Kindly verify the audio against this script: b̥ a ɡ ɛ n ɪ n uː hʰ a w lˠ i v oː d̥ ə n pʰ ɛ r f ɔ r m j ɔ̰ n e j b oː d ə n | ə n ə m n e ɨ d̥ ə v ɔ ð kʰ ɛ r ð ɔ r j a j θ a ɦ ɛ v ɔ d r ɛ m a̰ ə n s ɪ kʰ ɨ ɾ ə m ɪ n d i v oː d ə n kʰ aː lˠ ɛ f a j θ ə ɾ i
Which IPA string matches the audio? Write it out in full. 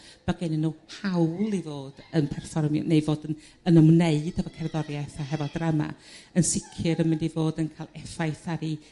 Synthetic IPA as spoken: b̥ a ɡ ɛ n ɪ n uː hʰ a w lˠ i v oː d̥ ə n pʰ ɛ r f ɔ r m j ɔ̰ n e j v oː d ə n | ə n ə m n e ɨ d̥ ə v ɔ kʰ ɛ r ð ɔ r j a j θ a ɦ ɛ v ɔ d r a m a̰ ə n s ɪ kʰ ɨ ɾ ə m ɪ n d i v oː d ə n kʰ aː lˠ ɛ f a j θ a ɾ i

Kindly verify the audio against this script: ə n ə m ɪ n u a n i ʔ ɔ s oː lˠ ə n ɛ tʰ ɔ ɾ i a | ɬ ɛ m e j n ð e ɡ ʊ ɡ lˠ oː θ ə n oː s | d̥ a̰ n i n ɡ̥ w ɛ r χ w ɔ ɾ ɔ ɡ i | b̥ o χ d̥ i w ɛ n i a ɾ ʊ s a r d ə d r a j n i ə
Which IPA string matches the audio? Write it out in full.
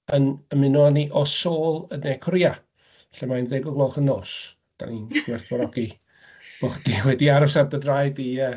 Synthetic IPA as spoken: ə n ə m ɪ n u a n i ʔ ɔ s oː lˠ ə n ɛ kʰ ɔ ɾ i a | ɬ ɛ m a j n ð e ɡ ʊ ɡ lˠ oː χ ə n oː s | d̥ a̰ n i n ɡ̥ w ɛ r θ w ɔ ɾ ɔ ɡ i | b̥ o χ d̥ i w ɛ d i a ɾ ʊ s a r d ə d r a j d i ə

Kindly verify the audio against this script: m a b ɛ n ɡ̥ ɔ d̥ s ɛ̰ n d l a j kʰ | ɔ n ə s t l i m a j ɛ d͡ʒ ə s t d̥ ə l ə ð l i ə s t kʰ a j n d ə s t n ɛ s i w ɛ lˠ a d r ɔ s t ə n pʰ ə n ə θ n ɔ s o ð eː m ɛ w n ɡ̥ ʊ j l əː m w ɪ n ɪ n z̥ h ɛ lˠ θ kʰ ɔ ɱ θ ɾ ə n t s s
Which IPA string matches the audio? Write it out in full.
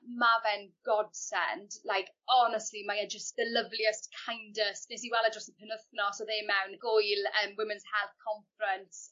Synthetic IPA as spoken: m a v ɛ n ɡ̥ ɔ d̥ s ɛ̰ n d l a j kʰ | ɔ n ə s t l i m a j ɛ d͡ʒ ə s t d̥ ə l ə v l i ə s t kʰ a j n d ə s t n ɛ s i w ɛ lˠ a d r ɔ s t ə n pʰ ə n ə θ n ɔ s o ð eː m ɛ w n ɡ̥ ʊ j l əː m w ɪ m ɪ n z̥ h ɛ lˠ θ kʰ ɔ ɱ f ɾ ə n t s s

